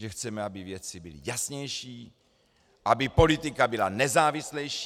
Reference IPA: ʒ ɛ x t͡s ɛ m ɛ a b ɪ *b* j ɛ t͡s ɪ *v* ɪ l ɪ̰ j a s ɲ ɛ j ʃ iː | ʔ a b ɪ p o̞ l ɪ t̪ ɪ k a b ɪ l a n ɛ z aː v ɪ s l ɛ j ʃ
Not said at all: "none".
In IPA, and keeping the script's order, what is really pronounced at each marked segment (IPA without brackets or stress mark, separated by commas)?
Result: v, b